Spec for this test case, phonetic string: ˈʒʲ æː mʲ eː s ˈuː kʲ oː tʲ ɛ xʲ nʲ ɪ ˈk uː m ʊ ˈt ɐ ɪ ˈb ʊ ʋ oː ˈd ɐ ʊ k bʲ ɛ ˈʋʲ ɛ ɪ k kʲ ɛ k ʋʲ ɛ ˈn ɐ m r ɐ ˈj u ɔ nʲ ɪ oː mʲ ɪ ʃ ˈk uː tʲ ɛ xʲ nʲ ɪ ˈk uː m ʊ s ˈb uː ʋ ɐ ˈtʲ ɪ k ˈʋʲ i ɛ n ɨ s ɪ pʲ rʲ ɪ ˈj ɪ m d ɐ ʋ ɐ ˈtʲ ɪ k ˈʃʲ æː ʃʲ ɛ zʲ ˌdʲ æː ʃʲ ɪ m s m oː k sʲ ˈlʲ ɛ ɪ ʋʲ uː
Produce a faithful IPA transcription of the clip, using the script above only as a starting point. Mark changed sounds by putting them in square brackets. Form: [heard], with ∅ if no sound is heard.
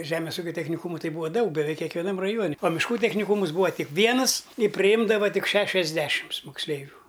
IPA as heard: ˈʒʲ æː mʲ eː s ˈuː kʲ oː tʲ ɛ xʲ nʲ ɪ ˈk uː m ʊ ˈt ɐ ɪ ˈb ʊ ʋ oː ˈd ɐ ʊ k bʲ ɛ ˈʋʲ ɛ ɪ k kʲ ɛ k ʋʲ ɛ ˈn ɐ m r ɐ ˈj u ɔ nʲ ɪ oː mʲ ɪ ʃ ˈk uː tʲ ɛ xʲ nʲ ɪ ˈk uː m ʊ s ˈb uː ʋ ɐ ˈtʲ ɪ k ˈʋʲ i ɛ n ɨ s ɪ pʲ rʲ ɪ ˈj ɪ m d ɐ ʋ ɐ ˈtʲ ɪ k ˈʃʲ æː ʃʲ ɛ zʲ ˌdʲ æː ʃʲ ɪ m s m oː k sʲ ˈlʲ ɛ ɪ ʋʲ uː